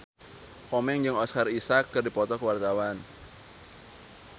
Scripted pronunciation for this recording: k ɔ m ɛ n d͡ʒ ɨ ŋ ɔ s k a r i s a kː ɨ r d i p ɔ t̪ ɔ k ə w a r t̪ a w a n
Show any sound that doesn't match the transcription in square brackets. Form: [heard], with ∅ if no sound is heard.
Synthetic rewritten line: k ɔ m ɛ [ŋ] d͡ʒ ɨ ŋ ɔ s k a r i s a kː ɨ r d i p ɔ t̪ ɔ k ə w a r t̪ a w a n